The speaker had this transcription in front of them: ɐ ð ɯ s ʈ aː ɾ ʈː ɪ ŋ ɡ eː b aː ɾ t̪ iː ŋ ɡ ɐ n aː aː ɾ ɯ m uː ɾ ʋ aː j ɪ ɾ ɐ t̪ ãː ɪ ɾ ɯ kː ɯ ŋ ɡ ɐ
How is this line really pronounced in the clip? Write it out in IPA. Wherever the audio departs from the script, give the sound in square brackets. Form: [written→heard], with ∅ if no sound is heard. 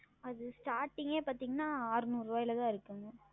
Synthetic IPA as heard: ɐ ð ɯ s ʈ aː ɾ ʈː ɪ ŋ ɡ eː [b→p] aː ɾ t̪ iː ŋ ɡ ɐ n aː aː ɾ ɯ [m→n] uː ɾ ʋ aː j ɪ [ɾ→l] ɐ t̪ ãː ɪ ɾ ɯ kː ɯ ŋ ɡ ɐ

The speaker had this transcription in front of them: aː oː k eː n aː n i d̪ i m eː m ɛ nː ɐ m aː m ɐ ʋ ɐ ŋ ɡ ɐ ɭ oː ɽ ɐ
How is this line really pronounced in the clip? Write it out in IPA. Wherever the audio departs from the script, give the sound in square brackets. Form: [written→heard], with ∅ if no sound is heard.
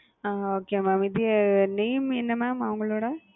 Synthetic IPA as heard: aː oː k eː [n→m] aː [n→m] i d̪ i [m→n] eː m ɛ nː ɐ m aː m ɐ ʋ ɐ ŋ ɡ ɐ ɭ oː ɽ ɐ

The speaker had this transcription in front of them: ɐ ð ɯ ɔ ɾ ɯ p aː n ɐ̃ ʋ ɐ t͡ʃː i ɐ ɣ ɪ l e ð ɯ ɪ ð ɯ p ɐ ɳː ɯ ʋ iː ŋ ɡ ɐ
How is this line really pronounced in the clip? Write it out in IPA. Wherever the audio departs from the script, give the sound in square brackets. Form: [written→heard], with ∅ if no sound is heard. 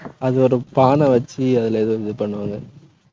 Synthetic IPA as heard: ɐ ð ɯ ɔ ɾ ɯ p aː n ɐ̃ ʋ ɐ t͡ʃː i ɐ [ɣ→ð] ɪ l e ð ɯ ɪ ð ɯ p ɐ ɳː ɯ ʋ [iː→aː] ŋ ɡ ɐ

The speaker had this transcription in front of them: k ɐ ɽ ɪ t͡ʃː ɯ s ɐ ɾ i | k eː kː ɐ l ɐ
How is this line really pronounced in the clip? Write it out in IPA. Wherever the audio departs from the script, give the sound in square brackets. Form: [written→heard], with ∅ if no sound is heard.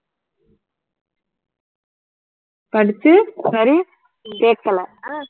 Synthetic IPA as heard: [k→p] ɐ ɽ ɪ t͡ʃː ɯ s ɐ ɾ i | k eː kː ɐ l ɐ

